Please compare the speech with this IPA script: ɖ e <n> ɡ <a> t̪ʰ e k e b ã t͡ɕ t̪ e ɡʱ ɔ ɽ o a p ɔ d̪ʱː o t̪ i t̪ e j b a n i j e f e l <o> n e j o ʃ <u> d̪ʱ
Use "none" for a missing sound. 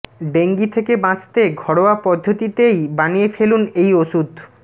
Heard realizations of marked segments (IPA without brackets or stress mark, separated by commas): ŋ, i, u, u